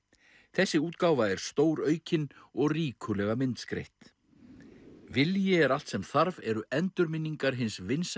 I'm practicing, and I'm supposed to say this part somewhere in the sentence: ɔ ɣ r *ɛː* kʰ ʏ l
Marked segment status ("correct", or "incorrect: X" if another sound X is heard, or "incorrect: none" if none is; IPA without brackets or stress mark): incorrect: iː